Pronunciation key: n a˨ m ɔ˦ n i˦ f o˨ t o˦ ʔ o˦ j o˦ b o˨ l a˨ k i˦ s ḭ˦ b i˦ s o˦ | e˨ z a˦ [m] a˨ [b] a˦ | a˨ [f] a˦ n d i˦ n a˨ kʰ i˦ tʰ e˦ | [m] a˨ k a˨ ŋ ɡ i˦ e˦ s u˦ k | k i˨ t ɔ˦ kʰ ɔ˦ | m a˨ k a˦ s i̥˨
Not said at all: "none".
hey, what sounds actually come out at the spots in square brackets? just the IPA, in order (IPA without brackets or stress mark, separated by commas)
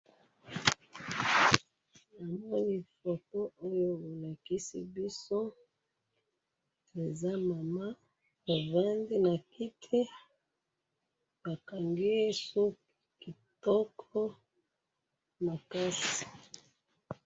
m, m, v, b